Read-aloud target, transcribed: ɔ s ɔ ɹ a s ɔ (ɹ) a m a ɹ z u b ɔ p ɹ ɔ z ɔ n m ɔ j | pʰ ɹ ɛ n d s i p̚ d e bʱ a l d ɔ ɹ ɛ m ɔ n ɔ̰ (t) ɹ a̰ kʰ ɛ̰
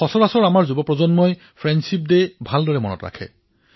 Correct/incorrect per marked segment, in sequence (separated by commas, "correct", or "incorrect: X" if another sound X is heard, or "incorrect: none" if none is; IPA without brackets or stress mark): correct, correct